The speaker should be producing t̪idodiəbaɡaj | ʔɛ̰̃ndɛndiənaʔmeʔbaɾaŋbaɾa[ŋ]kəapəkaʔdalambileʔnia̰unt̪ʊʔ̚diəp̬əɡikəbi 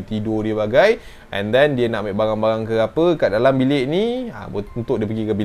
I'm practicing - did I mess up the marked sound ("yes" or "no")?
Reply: no